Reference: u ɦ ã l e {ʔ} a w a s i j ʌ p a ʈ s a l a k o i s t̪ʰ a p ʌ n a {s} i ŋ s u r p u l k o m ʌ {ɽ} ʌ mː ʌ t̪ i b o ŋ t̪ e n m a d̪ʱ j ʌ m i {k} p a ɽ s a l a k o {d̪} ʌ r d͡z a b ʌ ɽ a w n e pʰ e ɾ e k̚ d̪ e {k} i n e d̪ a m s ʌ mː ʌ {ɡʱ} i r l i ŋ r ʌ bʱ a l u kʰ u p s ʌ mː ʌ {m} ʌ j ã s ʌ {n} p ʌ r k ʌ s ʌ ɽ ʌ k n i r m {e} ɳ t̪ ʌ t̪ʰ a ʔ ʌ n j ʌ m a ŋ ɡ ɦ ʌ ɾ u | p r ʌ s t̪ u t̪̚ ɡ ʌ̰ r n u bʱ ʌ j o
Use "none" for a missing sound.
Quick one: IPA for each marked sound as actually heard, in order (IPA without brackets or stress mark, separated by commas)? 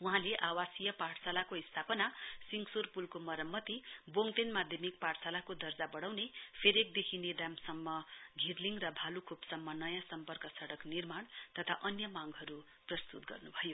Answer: ʔ, s, ɾ, k, d̪, kʰ, ɡʱ, n, m, a